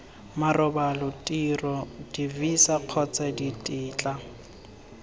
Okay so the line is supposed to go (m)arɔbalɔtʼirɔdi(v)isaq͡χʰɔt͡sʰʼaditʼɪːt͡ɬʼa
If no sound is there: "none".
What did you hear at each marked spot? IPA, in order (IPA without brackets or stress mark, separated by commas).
m, v